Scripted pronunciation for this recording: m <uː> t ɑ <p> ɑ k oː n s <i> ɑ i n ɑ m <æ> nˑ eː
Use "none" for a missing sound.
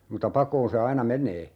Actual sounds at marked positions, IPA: u, p, e, e

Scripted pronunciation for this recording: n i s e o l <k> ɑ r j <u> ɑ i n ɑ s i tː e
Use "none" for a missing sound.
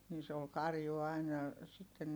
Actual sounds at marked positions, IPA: k, u

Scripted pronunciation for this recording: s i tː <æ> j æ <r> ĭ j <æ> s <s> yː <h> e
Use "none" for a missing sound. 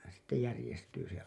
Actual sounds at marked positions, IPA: e, r, e, t, s

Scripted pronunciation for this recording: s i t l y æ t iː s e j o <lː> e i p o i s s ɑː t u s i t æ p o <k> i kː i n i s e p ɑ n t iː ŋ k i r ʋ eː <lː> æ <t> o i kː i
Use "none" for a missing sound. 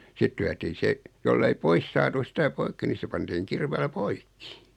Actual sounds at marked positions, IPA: lː, none, l, p

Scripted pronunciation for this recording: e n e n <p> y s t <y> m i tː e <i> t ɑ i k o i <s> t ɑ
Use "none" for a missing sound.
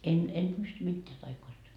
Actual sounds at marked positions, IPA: p, y, æ, s

